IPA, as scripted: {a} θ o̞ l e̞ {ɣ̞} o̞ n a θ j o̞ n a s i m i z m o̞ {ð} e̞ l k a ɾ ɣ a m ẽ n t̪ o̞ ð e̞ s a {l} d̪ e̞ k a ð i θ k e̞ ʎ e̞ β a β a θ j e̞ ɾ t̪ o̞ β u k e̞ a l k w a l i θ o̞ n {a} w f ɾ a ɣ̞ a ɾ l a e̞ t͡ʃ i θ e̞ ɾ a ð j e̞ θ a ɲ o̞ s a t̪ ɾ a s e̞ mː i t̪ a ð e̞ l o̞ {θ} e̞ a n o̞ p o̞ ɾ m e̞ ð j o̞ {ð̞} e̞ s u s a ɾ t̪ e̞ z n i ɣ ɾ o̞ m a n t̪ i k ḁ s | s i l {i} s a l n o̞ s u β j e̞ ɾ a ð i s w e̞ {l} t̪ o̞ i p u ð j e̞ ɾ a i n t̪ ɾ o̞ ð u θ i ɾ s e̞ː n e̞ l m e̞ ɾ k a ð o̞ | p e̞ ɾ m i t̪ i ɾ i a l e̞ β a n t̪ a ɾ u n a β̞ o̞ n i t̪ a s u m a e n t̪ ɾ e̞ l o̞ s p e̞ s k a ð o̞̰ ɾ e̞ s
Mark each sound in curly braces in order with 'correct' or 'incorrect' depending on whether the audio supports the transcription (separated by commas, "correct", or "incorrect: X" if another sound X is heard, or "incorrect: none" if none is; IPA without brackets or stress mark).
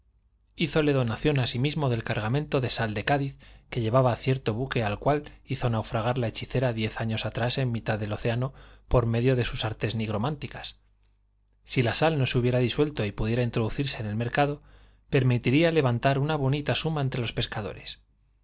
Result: incorrect: i, incorrect: ð̞, correct, correct, correct, correct, correct, incorrect: a, correct